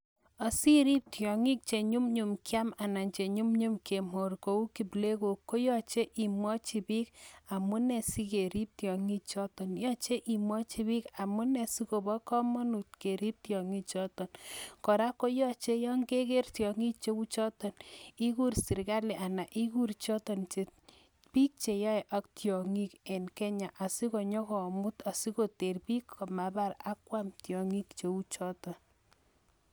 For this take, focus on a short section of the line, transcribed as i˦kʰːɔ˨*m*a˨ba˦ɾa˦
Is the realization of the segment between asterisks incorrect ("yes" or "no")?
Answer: no